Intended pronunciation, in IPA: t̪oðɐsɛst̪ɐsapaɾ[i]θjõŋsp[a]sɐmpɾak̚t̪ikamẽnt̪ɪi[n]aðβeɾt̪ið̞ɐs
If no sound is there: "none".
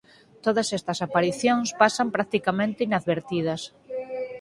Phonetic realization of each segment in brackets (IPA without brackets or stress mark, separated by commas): i, a, n